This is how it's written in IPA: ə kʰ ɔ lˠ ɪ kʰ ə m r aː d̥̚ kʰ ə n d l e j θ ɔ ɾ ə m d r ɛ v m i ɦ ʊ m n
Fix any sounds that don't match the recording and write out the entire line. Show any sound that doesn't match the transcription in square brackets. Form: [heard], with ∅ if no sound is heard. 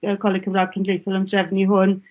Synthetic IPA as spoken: ə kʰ ɔ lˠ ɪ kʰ ə m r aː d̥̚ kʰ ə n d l e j θ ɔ [l] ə m d r ɛ v [n] i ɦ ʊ [∅] n